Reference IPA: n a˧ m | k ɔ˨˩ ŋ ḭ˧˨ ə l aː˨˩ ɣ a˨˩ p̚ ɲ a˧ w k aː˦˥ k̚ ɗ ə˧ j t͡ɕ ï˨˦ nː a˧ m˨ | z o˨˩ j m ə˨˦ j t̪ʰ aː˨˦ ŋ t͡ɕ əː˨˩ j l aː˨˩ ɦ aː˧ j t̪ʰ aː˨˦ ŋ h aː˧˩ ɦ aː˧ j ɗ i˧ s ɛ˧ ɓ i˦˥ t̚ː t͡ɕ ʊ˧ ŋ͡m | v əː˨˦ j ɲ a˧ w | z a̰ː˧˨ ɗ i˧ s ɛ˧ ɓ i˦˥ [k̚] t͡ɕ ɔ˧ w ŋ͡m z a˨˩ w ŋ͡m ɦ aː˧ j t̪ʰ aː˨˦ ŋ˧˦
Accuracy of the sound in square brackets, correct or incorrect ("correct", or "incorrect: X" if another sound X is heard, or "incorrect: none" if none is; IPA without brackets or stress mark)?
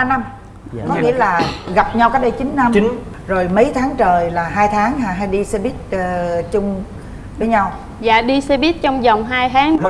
incorrect: t̚